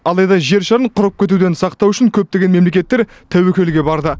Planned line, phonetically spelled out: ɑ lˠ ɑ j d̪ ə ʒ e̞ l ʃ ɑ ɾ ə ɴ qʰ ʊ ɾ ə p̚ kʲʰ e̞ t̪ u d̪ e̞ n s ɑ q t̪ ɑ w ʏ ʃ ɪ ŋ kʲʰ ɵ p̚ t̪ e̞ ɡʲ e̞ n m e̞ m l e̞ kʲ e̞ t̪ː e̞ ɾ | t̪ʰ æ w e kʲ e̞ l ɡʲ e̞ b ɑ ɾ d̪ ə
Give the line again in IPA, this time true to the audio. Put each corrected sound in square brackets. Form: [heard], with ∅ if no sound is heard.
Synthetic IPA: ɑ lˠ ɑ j d̪ [ɑ] ʒ e̞ [ɾ] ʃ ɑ ɾ ə ɴ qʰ ʊ ɾ ə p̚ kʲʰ e̞ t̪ u d̪ e̞ n s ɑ q t̪ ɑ w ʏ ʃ ɪ ŋ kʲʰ ɵ p̚ t̪ e̞ ɡʲ e̞ n m e̞ m l e̞ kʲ e̞ t̪ː e̞ ɾ | t̪ʰ æ w e kʲ e̞ l ɡʲ e̞ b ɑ ɾ d̪ ə

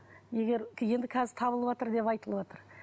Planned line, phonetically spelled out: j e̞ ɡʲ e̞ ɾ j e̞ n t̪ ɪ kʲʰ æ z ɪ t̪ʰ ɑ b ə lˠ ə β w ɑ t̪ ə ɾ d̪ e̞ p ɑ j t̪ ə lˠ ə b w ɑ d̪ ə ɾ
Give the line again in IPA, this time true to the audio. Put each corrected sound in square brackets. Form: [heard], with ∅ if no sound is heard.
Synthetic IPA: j e̞ ɡʲ e̞ ɾ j e̞ n [d̪] ɪ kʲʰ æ z ɪ t̪ʰ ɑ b ə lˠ ə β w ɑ t̪ ə ɾ d̪ e̞ p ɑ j t̪ ə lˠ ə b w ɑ [t̪] ə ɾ

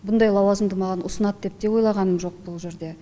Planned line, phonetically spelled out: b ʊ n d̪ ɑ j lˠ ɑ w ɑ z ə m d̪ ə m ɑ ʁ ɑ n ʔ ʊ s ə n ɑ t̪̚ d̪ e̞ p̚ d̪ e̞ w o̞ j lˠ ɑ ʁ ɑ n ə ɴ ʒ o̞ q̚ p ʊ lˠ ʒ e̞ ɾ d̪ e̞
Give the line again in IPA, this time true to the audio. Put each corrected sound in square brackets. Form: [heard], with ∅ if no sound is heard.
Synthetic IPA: b ʊ n d̪ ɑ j lˠ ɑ w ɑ z ə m d̪ ə m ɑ ʁ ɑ n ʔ ʊ s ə n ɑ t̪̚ d̪ e̞ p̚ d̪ e̞ w o̞ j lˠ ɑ ʁ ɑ n ə [m] ʒ o̞ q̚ [b] ʊ lˠ ʒ e̞ ɾ d̪ e̞

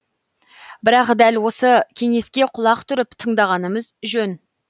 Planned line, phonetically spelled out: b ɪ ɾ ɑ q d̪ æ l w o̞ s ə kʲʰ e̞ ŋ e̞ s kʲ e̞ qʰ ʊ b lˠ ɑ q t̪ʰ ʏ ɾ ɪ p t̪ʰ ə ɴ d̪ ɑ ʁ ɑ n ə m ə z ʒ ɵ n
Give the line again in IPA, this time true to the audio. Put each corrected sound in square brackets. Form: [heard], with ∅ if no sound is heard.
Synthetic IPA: b ɪ ɾ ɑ q d̪ æ l w o̞ s ə kʲʰ e̞ ŋ e̞ s kʲ e̞ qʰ ʊ [∅] lˠ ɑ q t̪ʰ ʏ ɾ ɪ p t̪ʰ ə ɴ d̪ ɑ ʁ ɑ n ə m ə z ʒ ɵ n

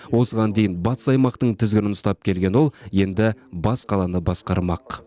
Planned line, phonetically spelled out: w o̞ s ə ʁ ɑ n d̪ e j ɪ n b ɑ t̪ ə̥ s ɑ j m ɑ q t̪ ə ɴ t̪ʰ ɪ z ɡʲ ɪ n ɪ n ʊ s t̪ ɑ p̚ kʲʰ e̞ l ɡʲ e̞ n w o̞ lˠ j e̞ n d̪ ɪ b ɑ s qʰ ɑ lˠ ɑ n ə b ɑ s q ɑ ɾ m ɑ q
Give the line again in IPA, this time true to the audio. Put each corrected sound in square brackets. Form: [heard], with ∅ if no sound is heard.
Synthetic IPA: w o̞ s ə ʁ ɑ n d̪ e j ɪ n b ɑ t̪ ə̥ s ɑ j m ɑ q t̪ ə ɴ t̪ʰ ɪ z ɡʲ ɪ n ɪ n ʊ s t̪ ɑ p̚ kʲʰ e̞ l ɡʲ e̞ n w o̞ lˠ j e̞ n d̪ ɪ b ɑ s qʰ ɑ lˠ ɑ n ə b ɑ s q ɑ ɾ m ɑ q

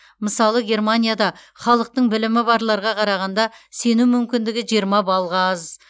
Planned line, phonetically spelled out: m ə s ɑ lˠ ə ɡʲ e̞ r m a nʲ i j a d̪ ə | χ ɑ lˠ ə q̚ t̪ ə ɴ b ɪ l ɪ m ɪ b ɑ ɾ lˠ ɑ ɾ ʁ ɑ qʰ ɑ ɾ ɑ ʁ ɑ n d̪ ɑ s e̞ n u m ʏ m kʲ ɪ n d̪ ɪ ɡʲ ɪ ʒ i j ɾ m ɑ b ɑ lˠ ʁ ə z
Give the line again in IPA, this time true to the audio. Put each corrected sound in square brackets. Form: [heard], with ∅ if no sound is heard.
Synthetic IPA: m ə s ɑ lˠ ə ɡʲ e̞ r m a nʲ i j a d̪ [ɑ] | χ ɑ lˠ ə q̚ t̪ ə ɴ b ɪ l ɪ m ɪ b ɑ ɾ lˠ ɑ ɾ ʁ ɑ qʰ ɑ ɾ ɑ ʁ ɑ n d̪ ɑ s e̞ n u m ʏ m kʲ ɪ n d̪ ɪ ɡʲ ɪ ʒ i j ɾ m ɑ b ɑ lˠ ʁ [ɑ] z

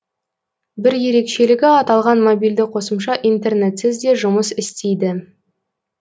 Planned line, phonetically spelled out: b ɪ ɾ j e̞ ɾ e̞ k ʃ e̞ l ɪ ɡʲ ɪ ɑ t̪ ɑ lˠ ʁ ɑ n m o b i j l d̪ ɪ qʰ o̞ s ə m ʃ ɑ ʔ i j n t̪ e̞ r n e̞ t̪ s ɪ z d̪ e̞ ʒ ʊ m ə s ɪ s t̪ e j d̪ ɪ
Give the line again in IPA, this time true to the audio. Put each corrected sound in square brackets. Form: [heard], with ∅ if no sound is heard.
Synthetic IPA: b ɪ ɾ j e̞ ɾ e̞ k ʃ e̞ l ɪ ɡʲ ɪ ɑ t̪ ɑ lˠ ʁ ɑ n m o b i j l d̪ ɪ qʰ o̞ s ə m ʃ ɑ ʔ i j n t̪ e̞ r n e̞ t̪ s ɪ z d̪ e̞ ʒ ʊ m ə s ɪ s t̪ e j d̪ ɪ

